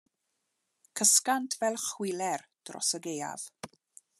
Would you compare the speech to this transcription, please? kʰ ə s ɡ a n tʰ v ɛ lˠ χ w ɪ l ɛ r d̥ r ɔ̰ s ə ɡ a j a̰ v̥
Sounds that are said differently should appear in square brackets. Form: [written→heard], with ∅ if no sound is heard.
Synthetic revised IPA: kʰ ə s [ɡ→k] a n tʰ v ɛ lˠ χ w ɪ l ɛ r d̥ r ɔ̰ s ə ɡ [a→e] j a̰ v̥